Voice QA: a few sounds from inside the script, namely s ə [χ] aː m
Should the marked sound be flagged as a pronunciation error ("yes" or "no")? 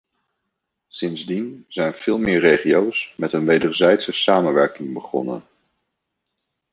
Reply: yes